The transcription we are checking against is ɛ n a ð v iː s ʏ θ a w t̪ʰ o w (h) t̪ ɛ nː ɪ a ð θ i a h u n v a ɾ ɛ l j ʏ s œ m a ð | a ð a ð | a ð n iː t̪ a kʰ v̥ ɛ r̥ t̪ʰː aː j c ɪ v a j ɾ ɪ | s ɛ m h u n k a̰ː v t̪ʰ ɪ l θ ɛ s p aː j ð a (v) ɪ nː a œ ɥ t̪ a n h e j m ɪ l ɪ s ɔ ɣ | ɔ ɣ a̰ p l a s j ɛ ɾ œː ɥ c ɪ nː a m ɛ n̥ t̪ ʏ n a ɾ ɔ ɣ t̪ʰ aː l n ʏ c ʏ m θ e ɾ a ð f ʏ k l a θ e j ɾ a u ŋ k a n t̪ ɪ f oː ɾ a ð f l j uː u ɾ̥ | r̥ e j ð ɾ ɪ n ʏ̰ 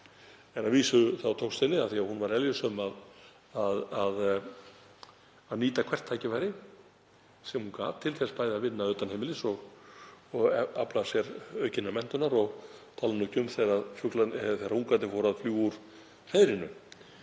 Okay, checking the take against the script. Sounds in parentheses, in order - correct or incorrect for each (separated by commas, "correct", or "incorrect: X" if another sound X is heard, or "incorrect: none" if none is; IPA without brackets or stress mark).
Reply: incorrect: s, correct